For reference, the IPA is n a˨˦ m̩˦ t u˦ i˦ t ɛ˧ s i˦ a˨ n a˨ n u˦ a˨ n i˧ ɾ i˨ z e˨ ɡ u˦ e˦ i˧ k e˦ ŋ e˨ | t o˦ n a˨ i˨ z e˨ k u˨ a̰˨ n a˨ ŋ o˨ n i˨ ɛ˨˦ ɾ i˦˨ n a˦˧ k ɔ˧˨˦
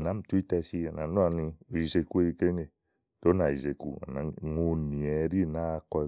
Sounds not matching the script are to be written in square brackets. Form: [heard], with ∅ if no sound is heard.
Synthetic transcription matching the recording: n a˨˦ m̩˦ t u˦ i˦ t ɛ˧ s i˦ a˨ n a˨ n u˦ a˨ n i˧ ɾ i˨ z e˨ [k] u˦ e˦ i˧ k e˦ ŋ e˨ | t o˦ n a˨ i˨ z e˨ k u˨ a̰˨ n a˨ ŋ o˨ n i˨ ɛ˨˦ ɾ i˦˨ n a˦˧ k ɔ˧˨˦